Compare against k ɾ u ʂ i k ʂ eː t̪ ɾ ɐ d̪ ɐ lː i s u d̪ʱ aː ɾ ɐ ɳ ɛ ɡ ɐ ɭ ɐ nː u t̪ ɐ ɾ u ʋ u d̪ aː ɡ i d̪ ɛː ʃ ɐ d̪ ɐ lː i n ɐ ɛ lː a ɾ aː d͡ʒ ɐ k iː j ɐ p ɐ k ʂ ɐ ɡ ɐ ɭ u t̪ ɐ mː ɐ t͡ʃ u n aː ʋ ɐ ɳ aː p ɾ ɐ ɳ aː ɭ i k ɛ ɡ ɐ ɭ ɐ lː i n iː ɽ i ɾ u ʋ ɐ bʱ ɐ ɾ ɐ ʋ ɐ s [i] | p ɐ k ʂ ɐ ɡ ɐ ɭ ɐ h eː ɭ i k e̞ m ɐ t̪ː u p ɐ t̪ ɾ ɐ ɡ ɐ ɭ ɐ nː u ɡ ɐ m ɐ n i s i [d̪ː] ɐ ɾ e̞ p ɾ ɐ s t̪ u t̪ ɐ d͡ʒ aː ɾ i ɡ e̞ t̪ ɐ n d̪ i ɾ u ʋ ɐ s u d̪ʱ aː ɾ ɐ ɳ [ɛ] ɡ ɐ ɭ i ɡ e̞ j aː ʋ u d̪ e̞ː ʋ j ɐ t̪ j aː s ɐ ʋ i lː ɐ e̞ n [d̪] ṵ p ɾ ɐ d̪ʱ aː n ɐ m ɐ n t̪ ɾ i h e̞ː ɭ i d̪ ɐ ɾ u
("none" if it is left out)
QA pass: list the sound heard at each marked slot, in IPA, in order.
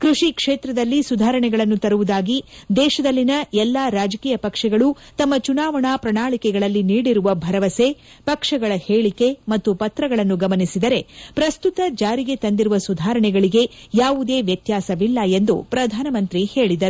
e, d̪, ɛ, d̪

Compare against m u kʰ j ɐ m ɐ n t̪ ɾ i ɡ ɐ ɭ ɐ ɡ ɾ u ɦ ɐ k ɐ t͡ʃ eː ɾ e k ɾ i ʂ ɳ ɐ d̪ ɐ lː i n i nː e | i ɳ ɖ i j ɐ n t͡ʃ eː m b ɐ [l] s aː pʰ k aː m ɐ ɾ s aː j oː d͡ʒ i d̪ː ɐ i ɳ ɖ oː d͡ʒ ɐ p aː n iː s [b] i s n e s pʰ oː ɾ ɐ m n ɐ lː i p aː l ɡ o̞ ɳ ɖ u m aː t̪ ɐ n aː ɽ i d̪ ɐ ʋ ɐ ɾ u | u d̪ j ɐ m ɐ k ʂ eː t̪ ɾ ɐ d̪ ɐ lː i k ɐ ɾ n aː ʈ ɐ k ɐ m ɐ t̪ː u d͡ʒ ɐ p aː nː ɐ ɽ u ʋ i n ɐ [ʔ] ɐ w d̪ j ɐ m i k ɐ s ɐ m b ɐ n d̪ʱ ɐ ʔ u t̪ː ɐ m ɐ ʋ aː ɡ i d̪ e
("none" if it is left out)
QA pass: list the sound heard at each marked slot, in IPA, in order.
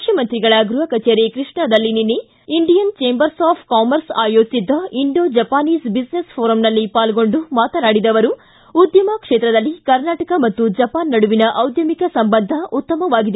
ɾ, b, ʔ

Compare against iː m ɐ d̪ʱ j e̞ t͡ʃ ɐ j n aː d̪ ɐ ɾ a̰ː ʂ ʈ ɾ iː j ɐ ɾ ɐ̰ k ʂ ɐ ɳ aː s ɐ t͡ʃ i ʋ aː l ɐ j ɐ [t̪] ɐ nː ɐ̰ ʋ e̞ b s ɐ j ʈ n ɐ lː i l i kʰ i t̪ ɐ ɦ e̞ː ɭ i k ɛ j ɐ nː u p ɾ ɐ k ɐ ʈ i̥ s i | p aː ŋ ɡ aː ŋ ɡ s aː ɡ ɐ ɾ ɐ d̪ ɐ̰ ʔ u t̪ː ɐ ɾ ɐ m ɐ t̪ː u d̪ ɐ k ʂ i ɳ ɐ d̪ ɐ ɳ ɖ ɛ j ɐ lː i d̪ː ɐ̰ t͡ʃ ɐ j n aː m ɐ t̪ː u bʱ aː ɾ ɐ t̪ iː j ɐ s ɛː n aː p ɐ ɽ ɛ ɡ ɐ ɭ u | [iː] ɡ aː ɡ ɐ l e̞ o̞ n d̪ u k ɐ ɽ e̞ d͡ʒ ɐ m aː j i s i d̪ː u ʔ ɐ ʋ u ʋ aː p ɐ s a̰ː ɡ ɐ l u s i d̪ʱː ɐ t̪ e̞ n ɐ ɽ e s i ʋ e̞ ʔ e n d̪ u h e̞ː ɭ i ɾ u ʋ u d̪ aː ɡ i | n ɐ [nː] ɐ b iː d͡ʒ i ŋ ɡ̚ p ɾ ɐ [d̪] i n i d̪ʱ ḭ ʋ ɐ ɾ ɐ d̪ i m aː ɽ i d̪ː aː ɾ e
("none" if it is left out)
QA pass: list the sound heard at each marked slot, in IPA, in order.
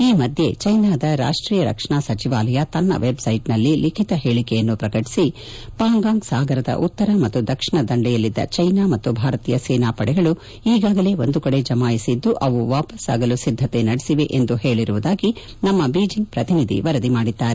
t̪, iː, mː, t̪

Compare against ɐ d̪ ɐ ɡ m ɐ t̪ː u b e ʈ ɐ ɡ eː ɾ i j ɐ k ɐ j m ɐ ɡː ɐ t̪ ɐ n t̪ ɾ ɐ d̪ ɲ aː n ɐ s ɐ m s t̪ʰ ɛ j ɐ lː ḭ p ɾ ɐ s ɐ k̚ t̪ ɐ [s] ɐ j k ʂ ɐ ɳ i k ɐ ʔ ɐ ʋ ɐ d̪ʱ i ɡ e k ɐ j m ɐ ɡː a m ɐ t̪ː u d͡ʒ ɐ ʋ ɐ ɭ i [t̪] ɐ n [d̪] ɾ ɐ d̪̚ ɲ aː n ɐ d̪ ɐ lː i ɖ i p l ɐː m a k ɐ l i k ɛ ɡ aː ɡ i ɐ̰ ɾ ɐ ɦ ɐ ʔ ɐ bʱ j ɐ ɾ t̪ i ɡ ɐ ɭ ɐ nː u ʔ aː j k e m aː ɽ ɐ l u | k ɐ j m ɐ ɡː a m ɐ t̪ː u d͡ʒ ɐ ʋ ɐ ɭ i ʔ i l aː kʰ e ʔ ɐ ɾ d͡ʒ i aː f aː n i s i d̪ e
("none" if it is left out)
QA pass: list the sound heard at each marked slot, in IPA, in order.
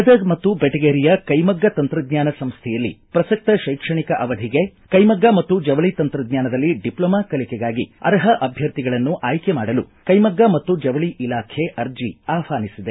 ʃ, t̪, t̪

